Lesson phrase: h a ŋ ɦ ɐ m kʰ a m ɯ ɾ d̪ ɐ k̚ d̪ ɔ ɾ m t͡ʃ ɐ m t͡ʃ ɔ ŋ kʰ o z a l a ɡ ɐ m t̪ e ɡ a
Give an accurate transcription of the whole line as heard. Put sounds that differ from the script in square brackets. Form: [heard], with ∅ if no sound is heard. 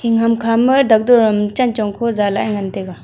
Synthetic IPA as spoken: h [i] ŋ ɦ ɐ m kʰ a m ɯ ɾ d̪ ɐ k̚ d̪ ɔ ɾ m t͡ʃ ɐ [n] t͡ʃ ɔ ŋ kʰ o z a l a [ŋ] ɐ [n] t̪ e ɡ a